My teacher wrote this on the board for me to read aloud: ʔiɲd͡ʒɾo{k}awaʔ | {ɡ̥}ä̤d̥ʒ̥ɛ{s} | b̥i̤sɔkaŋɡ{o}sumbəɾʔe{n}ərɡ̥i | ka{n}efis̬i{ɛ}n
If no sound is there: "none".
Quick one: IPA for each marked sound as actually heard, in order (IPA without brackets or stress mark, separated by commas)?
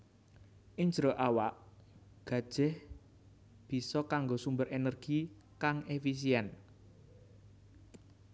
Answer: ʔ, ɡ̥, h, o, n, ŋ, ɛ